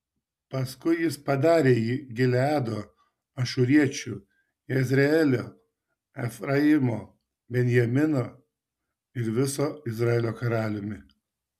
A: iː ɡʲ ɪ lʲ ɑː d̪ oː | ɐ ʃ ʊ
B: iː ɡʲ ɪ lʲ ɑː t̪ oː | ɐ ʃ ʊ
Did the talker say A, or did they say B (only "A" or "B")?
A